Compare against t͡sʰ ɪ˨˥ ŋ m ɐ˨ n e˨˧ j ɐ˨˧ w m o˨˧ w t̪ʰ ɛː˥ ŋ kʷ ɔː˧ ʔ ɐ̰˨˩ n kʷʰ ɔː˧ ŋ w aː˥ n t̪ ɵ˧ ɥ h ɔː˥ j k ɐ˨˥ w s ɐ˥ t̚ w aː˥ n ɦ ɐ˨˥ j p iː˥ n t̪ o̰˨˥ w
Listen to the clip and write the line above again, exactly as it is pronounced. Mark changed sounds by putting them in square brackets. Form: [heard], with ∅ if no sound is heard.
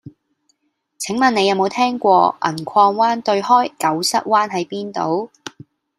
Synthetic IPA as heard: t͡sʰ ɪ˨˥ ŋ m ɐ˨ n e˨˧ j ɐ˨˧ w m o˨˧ w t̪ʰ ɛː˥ ŋ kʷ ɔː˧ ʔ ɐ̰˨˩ n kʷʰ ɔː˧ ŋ w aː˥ n t̪ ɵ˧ ɥ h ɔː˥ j k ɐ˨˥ w s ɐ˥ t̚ w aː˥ n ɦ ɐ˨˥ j p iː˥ n t̪ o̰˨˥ w